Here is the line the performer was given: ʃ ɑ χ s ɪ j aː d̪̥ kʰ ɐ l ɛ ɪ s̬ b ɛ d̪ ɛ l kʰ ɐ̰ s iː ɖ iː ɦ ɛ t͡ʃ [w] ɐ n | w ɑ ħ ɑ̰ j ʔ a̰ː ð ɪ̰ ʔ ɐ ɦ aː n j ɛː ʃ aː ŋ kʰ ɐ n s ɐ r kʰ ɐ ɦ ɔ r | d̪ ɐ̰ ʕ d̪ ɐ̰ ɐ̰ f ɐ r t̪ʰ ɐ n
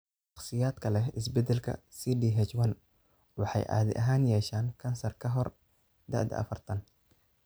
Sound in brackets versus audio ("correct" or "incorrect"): correct